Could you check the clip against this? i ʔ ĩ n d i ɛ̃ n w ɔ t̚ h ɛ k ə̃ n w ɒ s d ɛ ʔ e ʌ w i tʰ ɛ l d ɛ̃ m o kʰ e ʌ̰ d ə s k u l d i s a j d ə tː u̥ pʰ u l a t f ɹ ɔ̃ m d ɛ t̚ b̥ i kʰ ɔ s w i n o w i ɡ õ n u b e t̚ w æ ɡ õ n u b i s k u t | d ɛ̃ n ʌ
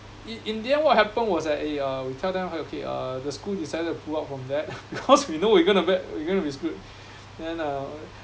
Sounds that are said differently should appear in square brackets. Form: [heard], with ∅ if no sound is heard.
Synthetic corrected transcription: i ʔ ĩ n d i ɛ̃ n w ɔ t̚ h ɛ [p] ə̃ n w [ɔ] s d ɛ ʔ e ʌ w i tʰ ɛ l d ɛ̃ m o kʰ e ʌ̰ d ə s k u l d i s a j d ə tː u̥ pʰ u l a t f ɹ ɔ̃ m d ɛ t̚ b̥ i kʰ ɔ s w i n o w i ɡ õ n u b [ɛ] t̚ w [i] ɡ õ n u b i s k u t | d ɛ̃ n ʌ